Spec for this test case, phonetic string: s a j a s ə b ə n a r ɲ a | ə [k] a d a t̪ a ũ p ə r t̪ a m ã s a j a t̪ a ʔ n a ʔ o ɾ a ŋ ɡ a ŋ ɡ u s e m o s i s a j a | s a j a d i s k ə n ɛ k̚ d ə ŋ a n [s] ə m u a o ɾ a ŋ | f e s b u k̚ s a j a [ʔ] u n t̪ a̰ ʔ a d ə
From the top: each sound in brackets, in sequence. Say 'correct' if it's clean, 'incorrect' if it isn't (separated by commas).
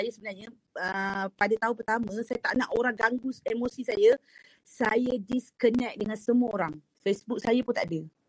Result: incorrect, correct, incorrect